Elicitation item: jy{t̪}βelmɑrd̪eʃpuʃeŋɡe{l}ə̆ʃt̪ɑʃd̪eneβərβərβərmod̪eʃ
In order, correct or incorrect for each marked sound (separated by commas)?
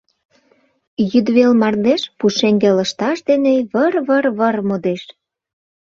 incorrect, correct